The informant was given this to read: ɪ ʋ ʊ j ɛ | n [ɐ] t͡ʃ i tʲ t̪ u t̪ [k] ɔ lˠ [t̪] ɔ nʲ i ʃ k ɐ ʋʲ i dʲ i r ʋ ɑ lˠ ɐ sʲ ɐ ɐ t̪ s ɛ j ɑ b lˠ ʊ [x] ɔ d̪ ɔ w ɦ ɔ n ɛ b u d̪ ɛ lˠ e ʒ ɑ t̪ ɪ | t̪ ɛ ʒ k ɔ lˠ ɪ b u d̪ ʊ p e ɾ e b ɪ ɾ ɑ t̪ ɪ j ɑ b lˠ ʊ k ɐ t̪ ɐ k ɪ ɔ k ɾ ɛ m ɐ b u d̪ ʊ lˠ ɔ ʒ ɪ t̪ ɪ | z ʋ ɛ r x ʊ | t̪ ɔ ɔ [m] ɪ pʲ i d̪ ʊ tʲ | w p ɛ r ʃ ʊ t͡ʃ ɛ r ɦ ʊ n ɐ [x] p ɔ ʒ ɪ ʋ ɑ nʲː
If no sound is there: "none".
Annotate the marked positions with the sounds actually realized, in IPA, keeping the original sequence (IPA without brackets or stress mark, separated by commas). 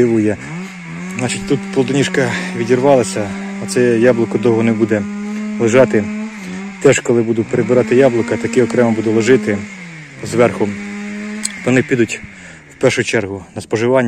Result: ɑ, p, d̪, k, n, s